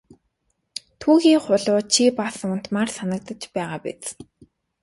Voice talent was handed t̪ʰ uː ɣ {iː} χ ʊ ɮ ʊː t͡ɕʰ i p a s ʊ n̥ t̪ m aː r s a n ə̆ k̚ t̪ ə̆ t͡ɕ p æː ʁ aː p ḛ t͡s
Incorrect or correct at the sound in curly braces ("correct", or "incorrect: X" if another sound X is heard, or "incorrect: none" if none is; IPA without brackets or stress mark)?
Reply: correct